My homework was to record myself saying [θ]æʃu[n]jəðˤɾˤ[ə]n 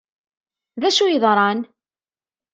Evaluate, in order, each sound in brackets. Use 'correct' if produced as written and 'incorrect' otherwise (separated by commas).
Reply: incorrect, incorrect, incorrect